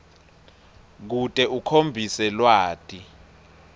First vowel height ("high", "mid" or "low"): high